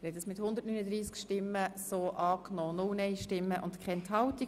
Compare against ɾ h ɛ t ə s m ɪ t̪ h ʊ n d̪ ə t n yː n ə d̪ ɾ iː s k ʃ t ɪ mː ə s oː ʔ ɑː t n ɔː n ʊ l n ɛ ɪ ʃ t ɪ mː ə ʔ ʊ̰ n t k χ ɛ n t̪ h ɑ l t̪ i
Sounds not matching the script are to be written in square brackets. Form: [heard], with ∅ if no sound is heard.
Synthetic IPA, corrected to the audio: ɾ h ɛ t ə s m ɪ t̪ h ʊ n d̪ ə t n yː n ə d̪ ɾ iː s k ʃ t ɪ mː ə s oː ʔ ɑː [k] n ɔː n ʊ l n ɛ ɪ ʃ t ɪ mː ə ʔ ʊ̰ n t k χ ɛ n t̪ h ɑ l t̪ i